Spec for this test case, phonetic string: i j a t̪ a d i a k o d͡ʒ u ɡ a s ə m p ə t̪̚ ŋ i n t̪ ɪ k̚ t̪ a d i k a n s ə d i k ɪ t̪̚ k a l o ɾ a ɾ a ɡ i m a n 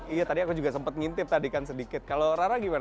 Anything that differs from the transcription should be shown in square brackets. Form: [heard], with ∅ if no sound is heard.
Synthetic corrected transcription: i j a t̪ a d i a k [u] d͡ʒ u ɡ a s ə m p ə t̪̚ ŋ i n t̪ ɪ [p̚] t̪ a d i k a n s ə d i k ɪ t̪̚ k a l o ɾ a ɾ a ɡ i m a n